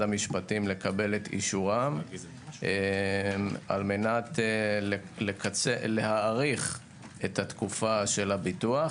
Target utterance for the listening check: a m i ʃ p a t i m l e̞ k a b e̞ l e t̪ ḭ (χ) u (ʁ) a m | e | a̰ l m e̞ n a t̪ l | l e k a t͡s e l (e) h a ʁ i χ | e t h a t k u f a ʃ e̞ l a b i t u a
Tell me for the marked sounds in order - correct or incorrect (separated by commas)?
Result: incorrect, correct, correct